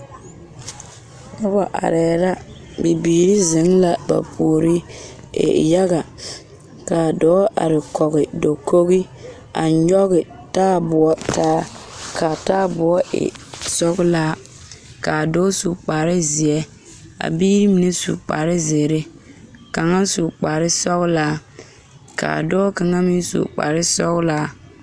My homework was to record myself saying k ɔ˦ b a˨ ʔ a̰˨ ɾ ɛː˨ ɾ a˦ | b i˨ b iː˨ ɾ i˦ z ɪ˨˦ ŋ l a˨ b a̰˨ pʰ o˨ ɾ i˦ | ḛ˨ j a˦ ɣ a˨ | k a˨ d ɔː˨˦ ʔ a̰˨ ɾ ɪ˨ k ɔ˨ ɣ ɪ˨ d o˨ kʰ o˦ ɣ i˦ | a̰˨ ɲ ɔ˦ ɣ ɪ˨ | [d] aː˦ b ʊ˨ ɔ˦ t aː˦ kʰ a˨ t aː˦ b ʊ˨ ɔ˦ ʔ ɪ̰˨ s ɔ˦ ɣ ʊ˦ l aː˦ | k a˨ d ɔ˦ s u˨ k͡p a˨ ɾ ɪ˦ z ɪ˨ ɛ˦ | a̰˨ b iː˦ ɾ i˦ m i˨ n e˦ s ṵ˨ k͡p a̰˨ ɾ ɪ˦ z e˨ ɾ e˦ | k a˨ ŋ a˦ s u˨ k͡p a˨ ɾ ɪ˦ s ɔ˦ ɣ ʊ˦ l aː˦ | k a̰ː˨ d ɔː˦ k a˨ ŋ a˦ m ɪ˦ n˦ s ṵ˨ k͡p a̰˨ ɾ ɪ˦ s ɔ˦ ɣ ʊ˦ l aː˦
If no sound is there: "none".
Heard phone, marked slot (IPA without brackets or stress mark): t